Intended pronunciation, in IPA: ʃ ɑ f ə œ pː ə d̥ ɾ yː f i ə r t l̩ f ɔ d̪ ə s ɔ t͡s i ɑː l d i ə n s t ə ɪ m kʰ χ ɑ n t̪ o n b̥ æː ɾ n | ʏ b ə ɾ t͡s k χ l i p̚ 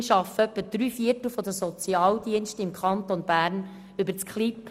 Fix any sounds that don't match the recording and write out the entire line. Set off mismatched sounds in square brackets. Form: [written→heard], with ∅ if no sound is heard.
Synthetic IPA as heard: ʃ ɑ f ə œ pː ə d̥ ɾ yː f i ə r t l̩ f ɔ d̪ ə s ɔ t͡s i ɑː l d i ə n [s→ʃ] t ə ɪ m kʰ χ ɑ n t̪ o n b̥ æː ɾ n | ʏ b ə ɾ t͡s k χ l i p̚